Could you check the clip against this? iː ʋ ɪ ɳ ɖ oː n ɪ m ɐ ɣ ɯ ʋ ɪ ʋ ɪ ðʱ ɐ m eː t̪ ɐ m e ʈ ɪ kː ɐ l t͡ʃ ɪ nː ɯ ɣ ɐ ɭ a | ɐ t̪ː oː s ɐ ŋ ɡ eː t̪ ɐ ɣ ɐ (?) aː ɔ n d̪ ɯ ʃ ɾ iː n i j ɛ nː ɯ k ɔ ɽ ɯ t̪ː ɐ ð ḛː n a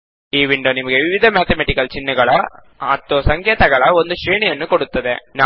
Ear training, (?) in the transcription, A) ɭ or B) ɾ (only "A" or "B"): A